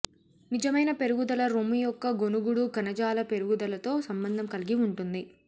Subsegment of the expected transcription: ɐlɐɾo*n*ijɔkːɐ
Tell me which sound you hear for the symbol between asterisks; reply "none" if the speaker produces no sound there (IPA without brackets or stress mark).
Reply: m